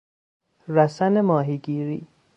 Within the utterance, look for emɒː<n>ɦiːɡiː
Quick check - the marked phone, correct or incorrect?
incorrect: none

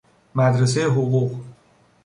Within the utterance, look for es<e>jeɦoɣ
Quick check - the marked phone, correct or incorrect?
correct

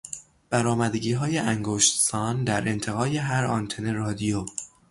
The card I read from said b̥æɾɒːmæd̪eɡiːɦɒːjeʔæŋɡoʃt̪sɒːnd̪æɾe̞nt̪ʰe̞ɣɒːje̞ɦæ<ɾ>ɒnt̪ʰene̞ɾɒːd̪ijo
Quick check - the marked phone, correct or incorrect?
correct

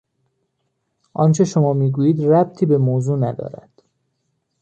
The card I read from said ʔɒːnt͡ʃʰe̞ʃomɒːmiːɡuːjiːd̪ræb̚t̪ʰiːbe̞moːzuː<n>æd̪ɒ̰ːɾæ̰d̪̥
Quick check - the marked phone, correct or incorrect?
correct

